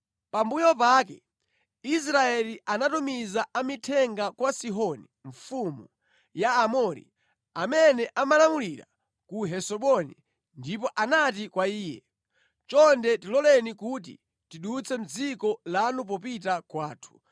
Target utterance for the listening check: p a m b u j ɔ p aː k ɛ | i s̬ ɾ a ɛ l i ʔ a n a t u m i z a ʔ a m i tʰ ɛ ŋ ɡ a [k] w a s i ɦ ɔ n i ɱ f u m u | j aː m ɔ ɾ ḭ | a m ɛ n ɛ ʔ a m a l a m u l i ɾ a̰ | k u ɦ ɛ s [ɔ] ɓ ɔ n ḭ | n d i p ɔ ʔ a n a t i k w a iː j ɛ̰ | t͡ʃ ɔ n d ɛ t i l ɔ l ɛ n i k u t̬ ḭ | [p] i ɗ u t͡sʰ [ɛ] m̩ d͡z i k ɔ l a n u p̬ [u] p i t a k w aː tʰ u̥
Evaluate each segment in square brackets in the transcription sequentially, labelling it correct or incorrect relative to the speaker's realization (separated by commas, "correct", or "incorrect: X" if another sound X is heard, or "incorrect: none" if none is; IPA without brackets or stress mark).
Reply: correct, correct, incorrect: t, correct, incorrect: ɔ